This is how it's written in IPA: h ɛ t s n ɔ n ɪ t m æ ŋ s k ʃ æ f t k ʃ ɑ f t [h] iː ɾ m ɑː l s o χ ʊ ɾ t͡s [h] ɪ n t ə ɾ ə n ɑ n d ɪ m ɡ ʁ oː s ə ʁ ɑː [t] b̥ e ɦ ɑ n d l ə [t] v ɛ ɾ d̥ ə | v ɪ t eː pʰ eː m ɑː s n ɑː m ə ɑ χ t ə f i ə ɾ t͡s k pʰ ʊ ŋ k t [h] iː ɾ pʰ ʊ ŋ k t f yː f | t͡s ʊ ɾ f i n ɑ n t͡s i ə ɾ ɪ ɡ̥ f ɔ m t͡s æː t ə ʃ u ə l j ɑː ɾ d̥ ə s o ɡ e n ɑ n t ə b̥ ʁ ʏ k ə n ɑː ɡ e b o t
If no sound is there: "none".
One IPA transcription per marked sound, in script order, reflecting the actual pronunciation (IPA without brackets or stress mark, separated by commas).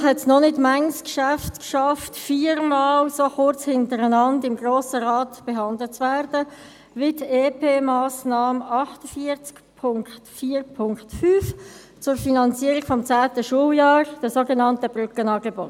f, h, t, t͡s, f